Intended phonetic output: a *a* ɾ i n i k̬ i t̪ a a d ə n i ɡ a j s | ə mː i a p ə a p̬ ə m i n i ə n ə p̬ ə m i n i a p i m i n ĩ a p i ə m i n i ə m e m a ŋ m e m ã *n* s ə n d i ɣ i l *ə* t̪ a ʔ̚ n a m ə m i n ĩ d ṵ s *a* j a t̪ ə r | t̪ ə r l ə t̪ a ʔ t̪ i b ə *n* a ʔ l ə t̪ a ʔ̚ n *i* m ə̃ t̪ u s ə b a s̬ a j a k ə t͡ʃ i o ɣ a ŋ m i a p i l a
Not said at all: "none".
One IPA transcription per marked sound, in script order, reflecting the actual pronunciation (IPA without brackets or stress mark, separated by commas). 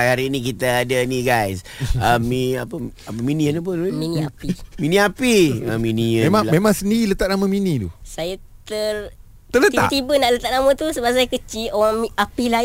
a, ŋ, ə, a, n, a